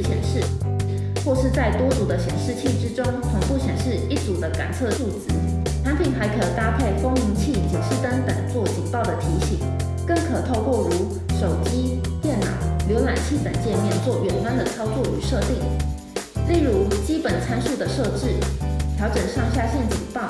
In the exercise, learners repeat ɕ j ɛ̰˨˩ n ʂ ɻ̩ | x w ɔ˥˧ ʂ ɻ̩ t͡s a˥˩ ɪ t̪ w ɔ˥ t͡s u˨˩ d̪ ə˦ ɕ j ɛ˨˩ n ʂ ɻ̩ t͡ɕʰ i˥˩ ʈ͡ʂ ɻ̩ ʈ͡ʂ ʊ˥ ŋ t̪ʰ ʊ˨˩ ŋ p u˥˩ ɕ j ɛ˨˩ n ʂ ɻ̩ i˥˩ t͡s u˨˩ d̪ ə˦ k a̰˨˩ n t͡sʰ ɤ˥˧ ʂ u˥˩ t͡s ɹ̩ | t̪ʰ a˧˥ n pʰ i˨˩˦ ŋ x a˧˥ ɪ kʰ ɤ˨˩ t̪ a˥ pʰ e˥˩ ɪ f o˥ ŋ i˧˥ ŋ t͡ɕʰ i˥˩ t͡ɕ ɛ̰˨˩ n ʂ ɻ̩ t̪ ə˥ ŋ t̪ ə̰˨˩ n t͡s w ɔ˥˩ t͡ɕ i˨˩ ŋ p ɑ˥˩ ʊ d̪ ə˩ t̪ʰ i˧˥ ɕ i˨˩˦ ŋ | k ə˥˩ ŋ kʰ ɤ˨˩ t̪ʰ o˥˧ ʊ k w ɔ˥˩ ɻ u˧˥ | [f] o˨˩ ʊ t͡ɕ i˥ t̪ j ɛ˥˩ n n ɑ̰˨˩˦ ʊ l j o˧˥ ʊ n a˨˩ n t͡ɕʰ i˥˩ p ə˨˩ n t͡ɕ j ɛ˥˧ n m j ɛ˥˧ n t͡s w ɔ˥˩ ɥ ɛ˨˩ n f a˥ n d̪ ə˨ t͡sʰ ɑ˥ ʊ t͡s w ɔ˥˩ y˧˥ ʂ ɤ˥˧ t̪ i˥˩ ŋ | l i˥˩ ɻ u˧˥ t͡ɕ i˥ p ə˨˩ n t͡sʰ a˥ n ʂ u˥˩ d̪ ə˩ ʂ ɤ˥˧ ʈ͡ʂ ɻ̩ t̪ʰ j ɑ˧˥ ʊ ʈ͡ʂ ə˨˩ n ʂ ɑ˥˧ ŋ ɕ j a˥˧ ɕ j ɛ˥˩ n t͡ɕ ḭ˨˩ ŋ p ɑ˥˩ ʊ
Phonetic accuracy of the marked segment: incorrect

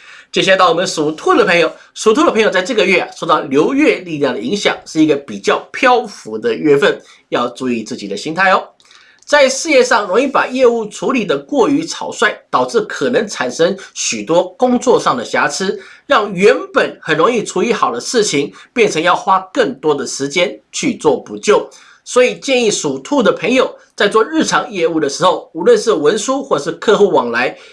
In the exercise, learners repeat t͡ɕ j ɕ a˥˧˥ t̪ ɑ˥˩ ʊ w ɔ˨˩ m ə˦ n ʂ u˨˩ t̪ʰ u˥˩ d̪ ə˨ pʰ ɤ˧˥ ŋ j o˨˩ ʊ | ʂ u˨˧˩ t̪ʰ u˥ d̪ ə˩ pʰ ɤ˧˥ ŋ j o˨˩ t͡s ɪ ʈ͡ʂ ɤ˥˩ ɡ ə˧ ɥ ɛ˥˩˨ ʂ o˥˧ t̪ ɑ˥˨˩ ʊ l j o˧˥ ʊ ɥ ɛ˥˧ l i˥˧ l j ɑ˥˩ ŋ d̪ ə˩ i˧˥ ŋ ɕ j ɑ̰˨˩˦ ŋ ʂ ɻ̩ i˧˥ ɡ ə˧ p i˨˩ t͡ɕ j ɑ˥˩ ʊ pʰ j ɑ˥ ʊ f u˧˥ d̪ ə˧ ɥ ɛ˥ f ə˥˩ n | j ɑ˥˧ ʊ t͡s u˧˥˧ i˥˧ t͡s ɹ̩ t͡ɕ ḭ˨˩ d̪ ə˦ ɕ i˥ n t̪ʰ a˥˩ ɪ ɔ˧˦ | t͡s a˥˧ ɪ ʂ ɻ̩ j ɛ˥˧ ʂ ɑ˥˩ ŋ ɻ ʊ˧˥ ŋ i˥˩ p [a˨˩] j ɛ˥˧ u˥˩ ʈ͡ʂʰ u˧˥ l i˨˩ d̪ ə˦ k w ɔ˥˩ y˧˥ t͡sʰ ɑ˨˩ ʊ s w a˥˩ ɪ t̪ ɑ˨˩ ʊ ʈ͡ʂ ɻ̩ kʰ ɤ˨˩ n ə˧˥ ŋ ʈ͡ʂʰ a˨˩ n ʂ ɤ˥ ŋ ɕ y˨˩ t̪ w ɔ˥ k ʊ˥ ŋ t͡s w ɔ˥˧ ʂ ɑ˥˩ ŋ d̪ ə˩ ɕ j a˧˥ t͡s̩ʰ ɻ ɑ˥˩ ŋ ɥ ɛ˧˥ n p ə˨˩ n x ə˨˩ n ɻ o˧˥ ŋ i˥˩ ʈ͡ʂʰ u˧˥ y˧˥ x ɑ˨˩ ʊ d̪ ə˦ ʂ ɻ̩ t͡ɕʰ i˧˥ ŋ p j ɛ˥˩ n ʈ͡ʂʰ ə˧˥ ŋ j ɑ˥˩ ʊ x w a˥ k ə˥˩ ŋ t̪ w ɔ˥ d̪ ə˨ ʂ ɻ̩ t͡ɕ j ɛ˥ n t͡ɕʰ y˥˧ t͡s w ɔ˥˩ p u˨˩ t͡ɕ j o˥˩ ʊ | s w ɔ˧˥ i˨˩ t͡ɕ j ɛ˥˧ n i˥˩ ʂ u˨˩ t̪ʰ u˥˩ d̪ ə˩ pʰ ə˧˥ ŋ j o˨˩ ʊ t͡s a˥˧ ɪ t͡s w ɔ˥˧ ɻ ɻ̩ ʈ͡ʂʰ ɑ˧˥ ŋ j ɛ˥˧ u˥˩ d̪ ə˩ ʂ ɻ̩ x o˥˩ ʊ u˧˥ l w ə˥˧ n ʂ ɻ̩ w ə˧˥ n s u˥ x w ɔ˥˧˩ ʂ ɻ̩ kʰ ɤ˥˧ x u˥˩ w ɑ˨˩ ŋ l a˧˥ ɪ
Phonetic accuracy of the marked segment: correct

